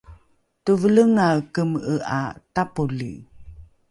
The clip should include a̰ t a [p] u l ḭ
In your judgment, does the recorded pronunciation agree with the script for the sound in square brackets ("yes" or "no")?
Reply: yes